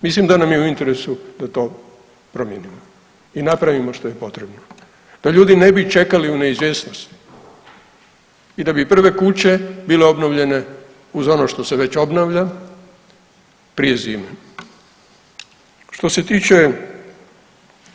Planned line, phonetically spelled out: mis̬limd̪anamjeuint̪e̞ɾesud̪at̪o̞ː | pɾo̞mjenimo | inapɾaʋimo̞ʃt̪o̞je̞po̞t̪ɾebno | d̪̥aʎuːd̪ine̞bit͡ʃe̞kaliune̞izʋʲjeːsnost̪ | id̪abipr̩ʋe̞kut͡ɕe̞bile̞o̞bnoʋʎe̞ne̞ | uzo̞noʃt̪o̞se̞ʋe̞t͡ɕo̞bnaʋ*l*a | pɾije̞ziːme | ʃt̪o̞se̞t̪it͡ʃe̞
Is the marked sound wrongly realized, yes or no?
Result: yes